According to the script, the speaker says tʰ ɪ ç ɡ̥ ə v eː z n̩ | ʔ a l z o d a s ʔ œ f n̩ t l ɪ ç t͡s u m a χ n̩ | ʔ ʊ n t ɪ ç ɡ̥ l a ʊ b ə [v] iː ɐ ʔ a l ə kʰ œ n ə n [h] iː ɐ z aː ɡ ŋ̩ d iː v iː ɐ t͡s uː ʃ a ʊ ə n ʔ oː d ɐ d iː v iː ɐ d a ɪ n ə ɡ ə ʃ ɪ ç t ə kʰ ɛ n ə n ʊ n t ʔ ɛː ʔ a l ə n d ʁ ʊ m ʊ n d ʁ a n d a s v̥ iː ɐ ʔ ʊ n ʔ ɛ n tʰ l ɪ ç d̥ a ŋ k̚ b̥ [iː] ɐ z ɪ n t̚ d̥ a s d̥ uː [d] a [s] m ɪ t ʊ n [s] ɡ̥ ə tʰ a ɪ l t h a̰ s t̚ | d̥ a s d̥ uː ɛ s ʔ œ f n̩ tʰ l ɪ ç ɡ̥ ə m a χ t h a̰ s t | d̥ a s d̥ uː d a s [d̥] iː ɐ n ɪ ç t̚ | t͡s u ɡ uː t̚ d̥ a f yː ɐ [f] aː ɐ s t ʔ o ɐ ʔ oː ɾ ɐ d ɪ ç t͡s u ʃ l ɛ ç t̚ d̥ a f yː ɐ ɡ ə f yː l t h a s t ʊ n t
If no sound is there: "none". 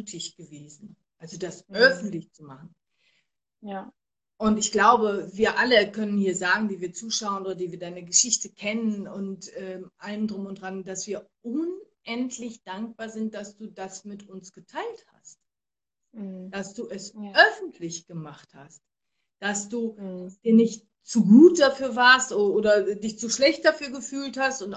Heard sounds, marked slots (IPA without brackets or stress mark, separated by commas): v, h, aː, d, s, s, d̥, v